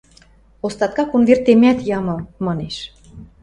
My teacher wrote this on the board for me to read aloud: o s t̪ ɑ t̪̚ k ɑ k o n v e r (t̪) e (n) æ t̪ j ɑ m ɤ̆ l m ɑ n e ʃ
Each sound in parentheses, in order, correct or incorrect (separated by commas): correct, incorrect